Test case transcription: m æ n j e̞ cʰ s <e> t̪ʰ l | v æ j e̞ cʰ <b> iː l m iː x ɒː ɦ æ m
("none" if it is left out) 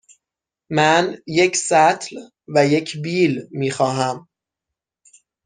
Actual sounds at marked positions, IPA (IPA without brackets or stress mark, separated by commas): æ, b